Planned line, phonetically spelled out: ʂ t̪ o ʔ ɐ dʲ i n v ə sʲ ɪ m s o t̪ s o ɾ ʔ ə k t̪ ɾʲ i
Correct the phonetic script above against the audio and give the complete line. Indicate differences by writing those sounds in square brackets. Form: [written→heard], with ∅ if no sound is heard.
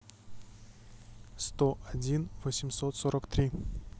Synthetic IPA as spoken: [ʂ→s] t̪ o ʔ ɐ dʲ i n v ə sʲ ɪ m s o t̪ s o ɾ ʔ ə k t̪ ɾʲ i